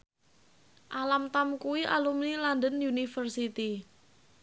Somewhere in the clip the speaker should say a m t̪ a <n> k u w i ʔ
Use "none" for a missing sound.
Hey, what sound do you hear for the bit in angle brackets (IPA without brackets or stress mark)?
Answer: m